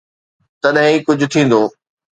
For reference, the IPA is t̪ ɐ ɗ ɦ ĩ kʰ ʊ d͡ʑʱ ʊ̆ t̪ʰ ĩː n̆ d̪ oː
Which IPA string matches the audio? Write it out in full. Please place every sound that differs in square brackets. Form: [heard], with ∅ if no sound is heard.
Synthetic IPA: t̪ ɐ ɗ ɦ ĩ [k] ʊ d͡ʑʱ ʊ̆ t̪ʰ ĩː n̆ d̪ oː